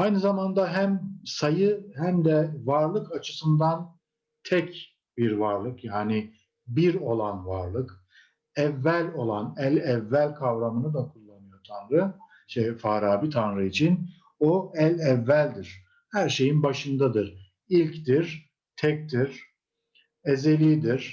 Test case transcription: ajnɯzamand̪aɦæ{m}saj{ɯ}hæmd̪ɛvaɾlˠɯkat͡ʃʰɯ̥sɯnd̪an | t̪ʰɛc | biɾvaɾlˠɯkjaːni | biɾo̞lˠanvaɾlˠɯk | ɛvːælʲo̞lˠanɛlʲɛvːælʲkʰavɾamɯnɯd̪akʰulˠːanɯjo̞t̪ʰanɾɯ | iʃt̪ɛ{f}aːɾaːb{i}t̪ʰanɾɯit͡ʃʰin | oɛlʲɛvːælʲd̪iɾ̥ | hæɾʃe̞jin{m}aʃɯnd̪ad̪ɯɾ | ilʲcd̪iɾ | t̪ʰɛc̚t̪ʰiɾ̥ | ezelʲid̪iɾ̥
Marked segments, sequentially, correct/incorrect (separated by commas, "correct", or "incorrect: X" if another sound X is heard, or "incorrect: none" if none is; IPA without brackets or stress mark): correct, correct, correct, correct, incorrect: b